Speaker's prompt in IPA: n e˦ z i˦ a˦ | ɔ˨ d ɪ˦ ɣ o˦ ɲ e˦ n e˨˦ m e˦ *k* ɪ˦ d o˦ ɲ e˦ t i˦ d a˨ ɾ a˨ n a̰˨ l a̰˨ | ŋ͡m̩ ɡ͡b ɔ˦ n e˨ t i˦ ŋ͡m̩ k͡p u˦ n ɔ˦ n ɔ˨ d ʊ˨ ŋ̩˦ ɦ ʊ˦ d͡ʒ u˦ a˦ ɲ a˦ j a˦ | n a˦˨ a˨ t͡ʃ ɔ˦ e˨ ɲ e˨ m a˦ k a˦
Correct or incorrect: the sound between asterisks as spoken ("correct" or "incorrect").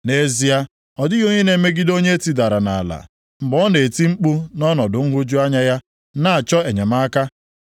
incorrect